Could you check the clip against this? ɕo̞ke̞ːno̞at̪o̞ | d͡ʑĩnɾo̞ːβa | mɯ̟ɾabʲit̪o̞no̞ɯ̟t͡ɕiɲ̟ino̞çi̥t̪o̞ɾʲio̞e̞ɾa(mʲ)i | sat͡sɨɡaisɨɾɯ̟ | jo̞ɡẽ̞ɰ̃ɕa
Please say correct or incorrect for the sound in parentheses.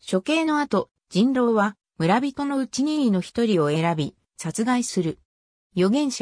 incorrect